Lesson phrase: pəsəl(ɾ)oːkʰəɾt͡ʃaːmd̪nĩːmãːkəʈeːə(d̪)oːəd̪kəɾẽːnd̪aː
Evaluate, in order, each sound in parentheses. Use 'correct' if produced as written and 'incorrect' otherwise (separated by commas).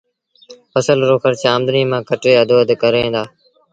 correct, correct